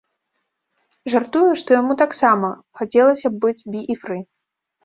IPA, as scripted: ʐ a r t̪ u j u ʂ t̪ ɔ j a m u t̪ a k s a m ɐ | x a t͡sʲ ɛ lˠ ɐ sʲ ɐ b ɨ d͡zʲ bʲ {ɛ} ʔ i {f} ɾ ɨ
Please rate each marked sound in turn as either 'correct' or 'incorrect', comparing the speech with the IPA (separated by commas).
incorrect, correct